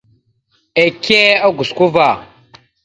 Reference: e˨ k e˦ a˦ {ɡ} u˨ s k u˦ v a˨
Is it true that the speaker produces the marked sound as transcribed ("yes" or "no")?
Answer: yes